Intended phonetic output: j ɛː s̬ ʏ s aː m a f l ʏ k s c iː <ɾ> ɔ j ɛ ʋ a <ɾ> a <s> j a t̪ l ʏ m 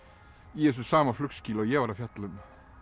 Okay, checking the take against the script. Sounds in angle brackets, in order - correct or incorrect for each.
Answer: incorrect: l, correct, incorrect: f

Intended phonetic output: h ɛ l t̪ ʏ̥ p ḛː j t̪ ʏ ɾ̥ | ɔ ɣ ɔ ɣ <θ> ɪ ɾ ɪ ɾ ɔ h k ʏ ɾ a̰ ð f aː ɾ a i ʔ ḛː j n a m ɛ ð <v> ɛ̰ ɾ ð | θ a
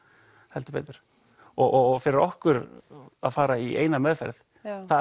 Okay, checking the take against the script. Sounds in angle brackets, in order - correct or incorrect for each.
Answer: incorrect: f, incorrect: f

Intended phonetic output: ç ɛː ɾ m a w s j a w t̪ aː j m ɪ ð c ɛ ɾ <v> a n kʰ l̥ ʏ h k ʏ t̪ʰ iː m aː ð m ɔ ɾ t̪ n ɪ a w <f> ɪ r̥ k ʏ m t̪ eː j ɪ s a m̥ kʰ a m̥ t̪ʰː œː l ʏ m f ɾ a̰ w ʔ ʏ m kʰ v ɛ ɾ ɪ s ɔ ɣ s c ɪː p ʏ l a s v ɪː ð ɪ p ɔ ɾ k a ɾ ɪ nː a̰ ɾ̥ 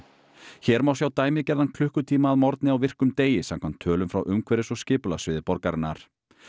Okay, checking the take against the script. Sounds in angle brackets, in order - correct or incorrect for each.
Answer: incorrect: ð, incorrect: v

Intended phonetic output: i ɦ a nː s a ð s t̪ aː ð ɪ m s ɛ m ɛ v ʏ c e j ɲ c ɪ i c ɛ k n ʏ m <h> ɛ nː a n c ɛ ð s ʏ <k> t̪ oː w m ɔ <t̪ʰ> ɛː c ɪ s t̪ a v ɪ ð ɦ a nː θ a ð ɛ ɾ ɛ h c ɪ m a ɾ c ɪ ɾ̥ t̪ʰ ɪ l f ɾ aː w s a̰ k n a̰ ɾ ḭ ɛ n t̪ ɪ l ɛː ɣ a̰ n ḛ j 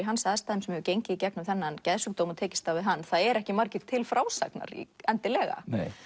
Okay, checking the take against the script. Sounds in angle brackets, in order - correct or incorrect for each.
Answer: incorrect: θ, correct, correct

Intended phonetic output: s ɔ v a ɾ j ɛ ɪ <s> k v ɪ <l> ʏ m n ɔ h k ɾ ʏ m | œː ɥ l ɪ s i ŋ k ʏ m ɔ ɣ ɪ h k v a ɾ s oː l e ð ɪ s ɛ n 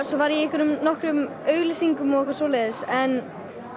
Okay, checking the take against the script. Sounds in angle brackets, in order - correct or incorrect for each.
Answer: incorrect: h, incorrect: ɾ

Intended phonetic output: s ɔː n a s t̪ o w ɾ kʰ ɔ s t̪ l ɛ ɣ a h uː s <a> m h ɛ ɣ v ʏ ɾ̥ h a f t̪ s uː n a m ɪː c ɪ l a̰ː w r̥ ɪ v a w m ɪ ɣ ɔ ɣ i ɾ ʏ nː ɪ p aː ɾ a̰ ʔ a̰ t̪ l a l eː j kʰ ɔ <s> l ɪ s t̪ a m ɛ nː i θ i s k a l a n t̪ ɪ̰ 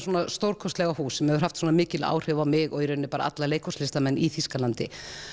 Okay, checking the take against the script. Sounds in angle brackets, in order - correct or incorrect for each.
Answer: incorrect: ɛ, correct

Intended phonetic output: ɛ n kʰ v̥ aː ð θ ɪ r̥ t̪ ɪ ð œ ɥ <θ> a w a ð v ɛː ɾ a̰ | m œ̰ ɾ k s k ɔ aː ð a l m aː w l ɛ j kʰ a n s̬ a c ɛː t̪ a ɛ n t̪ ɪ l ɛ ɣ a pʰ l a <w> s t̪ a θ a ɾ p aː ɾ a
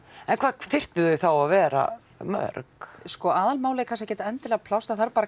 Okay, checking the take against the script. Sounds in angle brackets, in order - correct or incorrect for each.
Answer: correct, correct

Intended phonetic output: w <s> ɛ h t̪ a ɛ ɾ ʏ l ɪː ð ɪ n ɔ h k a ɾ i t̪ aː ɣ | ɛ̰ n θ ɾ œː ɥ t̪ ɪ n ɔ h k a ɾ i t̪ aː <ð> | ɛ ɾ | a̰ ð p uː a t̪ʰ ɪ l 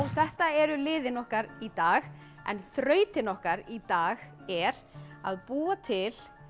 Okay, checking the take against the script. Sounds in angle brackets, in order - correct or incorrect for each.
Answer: incorrect: θ, incorrect: ɣ

